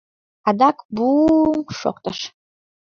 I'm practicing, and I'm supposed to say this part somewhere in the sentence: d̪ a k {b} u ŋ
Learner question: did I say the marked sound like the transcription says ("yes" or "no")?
yes